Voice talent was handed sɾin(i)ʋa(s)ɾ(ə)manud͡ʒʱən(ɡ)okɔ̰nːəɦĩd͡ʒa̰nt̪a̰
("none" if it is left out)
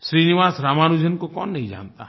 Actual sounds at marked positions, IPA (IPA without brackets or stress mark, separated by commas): i, s, a, k